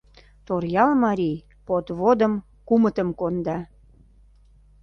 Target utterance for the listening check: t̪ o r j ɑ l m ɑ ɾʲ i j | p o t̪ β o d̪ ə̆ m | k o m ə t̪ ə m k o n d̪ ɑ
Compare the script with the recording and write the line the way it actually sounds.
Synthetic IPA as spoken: t̪ o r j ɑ l m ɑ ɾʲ i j | p o t̪ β o d̪ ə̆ m | k u m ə t̪ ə m k o n d̪ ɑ